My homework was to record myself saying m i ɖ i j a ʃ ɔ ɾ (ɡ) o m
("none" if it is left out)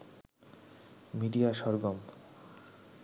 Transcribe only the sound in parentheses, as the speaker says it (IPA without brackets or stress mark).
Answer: ɡ